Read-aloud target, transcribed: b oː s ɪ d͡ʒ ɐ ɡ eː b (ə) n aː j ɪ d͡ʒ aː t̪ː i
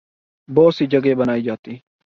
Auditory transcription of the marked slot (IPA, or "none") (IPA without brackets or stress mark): ɐ